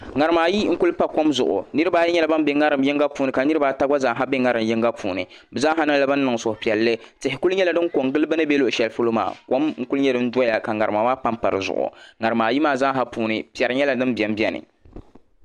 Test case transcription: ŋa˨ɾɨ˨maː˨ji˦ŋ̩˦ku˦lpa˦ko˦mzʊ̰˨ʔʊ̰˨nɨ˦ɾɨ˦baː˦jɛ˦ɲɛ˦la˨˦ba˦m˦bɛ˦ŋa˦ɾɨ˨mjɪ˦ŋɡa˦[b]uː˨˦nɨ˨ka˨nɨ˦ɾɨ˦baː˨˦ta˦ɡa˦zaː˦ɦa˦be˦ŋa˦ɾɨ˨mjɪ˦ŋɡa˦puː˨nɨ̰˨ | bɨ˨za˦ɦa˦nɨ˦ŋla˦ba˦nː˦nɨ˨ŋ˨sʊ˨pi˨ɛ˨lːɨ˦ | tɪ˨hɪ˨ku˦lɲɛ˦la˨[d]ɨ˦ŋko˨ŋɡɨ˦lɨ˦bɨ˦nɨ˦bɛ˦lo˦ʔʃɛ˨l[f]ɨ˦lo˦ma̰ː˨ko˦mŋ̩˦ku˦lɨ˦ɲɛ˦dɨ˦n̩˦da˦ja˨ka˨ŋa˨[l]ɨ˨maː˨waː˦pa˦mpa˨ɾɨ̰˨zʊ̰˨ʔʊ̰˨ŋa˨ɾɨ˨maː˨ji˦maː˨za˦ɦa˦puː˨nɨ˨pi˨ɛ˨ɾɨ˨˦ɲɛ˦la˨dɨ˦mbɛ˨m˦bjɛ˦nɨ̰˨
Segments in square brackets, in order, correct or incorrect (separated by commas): incorrect, correct, correct, incorrect